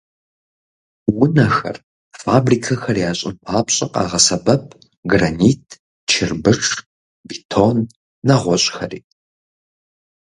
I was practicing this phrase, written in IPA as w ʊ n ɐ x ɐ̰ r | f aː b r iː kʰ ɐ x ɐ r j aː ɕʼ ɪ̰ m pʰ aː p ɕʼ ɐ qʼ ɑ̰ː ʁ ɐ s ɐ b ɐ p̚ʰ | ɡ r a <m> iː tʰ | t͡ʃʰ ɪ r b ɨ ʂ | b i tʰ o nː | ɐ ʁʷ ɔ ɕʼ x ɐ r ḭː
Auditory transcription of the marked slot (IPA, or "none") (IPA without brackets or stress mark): n